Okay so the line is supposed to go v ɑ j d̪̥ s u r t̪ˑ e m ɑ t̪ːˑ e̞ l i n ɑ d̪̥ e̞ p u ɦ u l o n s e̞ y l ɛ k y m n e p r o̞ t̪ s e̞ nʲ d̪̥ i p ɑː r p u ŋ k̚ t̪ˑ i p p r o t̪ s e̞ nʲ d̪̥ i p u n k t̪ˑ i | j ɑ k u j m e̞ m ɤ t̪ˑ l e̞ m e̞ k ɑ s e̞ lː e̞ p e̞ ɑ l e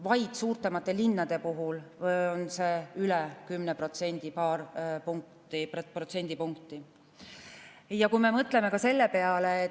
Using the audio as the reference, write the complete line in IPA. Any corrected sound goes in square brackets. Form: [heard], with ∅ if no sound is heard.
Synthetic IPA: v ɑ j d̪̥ s [uː] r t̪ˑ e m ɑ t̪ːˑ e̞ l i [nː] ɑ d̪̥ e̞ p u ɦ u l o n s e̞ y l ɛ k y m n e p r o̞ t̪ s e̞ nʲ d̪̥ i p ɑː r p u ŋ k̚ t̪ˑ i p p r o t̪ s e̞ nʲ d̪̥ i p u [ŋ] k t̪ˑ i | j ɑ k u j m e̞ m ɤ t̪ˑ l e̞ m e̞ k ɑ s e̞ lː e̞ p e̞ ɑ l e